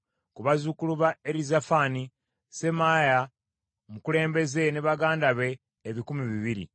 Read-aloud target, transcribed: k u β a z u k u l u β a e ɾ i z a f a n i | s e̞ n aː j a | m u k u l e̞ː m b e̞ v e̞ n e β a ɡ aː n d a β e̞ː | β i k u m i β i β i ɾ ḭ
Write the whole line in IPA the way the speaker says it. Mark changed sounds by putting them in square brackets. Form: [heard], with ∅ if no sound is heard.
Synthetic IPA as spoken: k u β a z u k u l u β a e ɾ i z a f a n i | s e̞ [m] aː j a | m u k u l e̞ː m b e̞ [z] e̞ n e β a ɡ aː n d a β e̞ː | β i k u m i β i β i ɾ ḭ